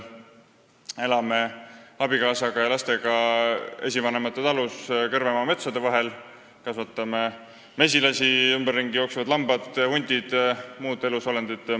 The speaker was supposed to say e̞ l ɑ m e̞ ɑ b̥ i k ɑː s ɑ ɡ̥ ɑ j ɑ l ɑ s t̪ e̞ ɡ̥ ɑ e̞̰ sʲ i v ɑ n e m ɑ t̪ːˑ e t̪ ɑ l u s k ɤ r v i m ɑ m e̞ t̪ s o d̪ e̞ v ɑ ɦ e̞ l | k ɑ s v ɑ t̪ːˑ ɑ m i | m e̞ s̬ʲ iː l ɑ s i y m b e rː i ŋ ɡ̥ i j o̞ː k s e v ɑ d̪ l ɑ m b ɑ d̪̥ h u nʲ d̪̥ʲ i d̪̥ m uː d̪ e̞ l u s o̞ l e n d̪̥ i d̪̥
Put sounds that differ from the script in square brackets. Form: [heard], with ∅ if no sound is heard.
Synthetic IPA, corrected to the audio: e̞ l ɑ m e̞ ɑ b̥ i k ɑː s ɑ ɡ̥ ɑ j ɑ l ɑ s t̪ e̞ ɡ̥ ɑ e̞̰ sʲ i v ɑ n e m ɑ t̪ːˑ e t̪ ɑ l u s k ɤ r v [e] m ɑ m e̞ t̪ s o d̪ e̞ v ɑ ɦ e̞ l | k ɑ s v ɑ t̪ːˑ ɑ m [e] | m e̞ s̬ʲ [i] l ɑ s i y m b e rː i ŋ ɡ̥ i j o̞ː k s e v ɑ d̪ l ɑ m b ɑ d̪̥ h u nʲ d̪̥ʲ i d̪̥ m uː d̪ e̞ l u s o̞ l e n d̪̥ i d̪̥